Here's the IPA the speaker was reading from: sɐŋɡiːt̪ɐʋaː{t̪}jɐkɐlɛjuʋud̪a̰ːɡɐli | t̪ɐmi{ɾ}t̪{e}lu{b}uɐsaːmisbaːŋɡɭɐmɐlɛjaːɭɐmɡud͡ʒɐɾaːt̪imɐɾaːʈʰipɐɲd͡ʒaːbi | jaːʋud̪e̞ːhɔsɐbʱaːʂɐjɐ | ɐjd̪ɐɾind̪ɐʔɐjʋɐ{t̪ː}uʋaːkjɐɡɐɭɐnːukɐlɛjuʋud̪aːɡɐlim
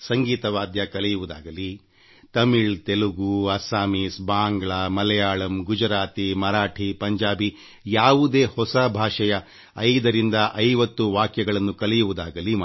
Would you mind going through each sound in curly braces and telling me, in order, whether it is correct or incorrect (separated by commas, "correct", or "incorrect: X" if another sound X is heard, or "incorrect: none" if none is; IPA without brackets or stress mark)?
incorrect: d̪, incorrect: ɭ, correct, incorrect: ɡ, correct